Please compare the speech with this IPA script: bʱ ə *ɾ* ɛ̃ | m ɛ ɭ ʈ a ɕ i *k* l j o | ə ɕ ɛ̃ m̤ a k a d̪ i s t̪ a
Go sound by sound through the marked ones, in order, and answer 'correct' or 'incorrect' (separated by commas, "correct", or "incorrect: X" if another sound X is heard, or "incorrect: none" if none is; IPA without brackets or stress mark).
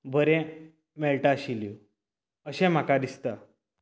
correct, incorrect: none